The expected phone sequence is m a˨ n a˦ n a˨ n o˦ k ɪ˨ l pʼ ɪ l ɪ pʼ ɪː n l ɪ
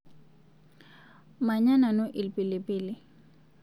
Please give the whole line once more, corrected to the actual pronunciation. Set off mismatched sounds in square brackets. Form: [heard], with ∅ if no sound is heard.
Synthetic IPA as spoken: m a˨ [ɲ] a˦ n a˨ n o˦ [ʔ] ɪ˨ l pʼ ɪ l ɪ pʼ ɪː [∅] l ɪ